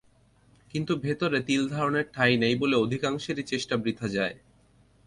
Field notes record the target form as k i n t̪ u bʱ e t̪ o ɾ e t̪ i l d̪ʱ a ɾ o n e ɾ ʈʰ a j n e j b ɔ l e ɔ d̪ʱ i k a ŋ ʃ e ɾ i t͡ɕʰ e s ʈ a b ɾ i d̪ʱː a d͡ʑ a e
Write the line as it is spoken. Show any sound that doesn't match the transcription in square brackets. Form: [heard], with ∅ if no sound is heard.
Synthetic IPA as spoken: k i n t̪ u bʱ e t̪ o ɾ e t̪ i l d̪ʱ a ɾ o n e ɾ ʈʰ a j n e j b [o] l e [o] d̪ʱ i k a ŋ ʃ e ɾ i [t͡ɕ] e [ʃ] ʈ a b ɾ i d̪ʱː a d͡ʑ a e